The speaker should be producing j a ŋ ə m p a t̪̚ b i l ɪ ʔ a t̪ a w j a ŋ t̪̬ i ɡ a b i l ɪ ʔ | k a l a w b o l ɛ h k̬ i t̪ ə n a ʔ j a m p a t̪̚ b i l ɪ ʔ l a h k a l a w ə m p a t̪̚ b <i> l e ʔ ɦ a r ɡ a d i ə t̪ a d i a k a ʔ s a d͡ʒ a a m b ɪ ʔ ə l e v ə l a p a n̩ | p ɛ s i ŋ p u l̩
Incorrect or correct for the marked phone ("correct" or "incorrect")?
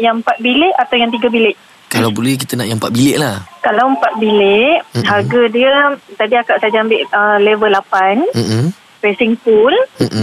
correct